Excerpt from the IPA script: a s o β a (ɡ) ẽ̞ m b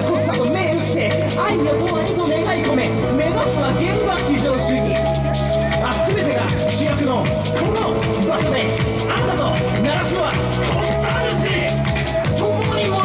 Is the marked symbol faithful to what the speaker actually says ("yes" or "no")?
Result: yes